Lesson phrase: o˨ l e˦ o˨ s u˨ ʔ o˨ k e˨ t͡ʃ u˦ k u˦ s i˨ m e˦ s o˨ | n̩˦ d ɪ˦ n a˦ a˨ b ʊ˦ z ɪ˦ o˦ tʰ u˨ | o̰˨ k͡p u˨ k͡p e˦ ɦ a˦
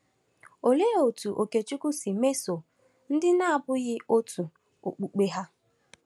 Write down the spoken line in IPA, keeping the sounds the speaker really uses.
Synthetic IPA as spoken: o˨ l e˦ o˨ t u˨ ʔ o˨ k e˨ t͡ʃ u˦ k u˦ s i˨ m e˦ s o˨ | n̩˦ d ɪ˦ n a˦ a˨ b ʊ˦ ɣ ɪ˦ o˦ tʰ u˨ | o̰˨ k͡p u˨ k͡p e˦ ɦ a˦